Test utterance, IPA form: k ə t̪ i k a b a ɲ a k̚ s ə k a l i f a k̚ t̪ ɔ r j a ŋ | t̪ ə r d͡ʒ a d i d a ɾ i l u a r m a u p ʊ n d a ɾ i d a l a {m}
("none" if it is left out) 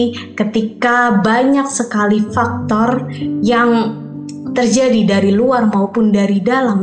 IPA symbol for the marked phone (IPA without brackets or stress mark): m